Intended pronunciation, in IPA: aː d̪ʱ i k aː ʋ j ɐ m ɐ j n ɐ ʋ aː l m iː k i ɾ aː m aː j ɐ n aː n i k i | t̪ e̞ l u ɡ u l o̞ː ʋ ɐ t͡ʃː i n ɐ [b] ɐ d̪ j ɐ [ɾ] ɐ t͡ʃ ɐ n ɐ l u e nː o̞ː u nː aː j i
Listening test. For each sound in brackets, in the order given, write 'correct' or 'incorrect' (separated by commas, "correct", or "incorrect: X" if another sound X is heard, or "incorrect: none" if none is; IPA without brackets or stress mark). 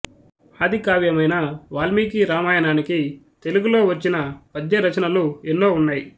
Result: incorrect: p, correct